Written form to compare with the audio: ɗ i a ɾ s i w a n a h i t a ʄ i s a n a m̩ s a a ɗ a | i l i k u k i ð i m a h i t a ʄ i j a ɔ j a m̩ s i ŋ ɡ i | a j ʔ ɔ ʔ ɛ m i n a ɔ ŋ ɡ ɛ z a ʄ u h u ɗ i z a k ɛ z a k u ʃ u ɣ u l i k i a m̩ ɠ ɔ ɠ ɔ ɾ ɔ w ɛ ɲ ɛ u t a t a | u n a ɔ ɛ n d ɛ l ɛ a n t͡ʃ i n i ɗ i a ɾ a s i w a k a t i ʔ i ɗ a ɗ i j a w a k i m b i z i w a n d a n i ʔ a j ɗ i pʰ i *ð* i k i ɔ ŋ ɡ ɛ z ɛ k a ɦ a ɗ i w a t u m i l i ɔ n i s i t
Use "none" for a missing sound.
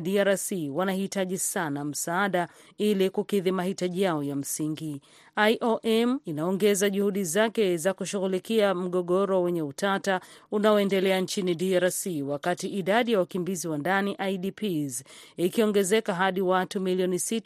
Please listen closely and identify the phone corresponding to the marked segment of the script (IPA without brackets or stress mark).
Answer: z